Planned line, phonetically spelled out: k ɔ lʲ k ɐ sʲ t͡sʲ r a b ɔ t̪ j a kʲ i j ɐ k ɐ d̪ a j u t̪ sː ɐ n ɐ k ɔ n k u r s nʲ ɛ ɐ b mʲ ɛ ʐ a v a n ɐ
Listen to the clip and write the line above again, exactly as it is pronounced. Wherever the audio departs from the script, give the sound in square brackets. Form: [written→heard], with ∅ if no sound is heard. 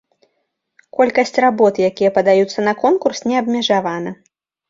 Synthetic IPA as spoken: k ɔ lʲ k ɐ sʲ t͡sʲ r a b ɔ t̪ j a kʲ i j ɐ [k→p] ɐ d̪ a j u t̪ sː ɐ n ɐ k ɔ n k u r s nʲ ɛ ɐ b mʲ ɛ ʐ a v a n ɐ